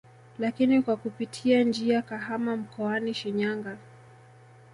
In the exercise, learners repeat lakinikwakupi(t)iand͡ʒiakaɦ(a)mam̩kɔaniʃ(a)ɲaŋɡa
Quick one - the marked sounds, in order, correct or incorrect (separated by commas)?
incorrect, correct, incorrect